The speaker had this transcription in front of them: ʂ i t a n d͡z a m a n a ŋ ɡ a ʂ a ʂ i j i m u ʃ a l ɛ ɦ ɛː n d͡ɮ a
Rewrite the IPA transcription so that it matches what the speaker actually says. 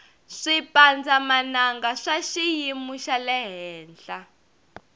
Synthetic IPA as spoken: ʂ i p a n d͡z a m a n a ŋ ɡ a ʂ a ʃ i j i m u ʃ a l ɛ ɦ ɛː n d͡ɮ a